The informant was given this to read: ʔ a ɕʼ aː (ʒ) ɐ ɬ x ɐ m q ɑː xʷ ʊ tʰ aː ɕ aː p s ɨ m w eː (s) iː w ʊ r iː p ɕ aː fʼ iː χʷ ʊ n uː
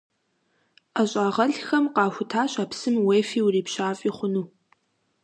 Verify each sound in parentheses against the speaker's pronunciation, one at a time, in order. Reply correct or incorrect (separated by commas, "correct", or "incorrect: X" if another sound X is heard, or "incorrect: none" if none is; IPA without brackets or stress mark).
incorrect: ʁ, incorrect: f